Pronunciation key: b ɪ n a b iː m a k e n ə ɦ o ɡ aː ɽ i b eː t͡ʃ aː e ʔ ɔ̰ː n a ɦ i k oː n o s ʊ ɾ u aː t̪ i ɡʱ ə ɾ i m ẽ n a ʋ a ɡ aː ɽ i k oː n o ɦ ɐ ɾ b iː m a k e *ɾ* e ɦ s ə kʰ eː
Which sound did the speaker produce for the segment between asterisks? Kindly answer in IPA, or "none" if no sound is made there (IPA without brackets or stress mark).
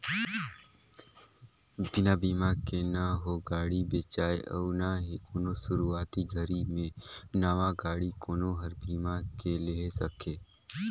l